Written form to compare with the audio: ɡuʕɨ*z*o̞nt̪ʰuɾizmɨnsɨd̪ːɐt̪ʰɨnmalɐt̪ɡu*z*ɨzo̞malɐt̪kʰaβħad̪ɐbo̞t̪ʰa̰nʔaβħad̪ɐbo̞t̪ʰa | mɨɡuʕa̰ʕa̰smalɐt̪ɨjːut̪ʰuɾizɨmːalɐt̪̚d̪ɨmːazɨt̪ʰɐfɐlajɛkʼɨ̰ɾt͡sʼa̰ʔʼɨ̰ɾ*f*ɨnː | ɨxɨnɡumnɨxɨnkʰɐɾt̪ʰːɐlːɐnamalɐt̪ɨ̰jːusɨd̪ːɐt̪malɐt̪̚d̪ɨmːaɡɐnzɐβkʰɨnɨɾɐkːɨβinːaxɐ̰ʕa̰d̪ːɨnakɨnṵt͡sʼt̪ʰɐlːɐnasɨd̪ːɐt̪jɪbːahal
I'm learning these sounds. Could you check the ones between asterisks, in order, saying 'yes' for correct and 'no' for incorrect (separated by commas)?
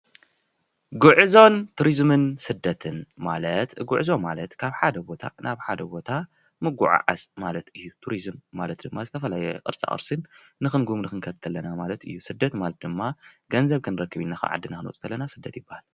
yes, no, no